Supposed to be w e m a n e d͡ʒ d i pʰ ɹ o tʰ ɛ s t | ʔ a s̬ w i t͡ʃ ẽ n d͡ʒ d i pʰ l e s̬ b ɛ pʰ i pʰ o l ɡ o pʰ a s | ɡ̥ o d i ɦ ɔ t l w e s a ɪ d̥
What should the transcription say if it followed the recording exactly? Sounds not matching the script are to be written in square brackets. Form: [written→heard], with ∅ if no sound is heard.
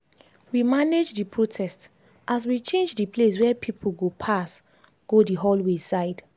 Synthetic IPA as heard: w [e→i] m a n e d͡ʒ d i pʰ ɹ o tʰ ɛ s t | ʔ a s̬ w i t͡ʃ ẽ n d͡ʒ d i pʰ l e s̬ [b→w] ɛ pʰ i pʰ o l ɡ o pʰ a s | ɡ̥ o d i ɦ ɔ [t→∅] l w e s a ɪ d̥